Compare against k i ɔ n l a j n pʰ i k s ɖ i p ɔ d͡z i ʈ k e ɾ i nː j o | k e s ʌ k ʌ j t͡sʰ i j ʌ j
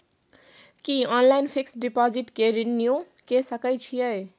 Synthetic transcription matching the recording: k i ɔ n l a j n pʰ i k s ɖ i p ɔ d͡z i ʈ k e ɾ i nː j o | k e s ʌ k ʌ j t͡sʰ i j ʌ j